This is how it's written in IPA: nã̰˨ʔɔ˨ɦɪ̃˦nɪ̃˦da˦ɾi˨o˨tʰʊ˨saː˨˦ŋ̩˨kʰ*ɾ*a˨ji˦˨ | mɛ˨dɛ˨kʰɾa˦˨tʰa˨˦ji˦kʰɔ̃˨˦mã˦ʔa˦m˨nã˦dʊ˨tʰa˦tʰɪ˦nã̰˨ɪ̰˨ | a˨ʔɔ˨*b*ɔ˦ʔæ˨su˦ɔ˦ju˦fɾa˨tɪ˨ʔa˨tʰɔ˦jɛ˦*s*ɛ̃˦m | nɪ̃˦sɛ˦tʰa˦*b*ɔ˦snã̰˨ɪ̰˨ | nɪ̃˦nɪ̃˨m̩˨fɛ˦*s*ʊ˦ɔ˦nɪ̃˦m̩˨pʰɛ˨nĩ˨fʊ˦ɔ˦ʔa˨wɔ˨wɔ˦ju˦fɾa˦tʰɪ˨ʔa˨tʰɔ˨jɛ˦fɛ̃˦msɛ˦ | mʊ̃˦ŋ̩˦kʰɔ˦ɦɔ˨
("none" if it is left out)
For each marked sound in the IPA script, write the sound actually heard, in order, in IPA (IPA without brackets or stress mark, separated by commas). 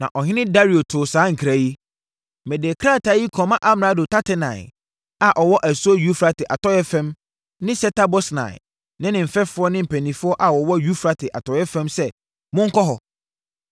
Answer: ɾ, w, f, b, f